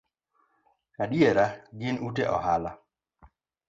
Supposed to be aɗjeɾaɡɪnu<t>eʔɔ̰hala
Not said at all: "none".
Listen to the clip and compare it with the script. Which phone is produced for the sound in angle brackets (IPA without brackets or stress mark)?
t